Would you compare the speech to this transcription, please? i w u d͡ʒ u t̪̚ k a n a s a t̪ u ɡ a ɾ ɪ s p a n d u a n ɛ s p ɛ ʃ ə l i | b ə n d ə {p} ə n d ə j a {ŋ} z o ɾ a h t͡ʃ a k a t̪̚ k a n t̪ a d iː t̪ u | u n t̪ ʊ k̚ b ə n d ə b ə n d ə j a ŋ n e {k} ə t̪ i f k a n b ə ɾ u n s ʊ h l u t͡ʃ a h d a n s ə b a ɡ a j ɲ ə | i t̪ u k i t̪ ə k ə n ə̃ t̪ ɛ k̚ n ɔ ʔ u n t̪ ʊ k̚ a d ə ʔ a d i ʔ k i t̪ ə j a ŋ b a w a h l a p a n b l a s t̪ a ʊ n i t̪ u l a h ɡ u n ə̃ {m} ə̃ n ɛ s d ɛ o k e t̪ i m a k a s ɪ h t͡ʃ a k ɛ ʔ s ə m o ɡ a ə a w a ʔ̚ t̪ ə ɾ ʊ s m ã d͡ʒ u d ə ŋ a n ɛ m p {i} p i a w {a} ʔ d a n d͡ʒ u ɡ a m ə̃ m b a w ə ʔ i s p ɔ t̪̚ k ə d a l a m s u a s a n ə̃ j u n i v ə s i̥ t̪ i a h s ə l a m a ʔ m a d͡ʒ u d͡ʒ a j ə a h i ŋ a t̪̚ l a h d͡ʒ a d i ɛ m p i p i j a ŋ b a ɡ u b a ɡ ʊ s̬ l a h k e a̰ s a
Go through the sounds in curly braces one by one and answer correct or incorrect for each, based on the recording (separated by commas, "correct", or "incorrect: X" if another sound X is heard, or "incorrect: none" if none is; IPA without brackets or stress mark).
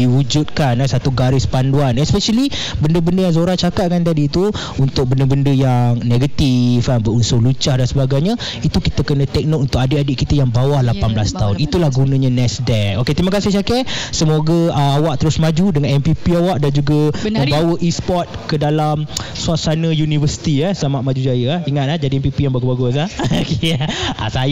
incorrect: b, correct, incorrect: ɡ, incorrect: ɲ, correct, correct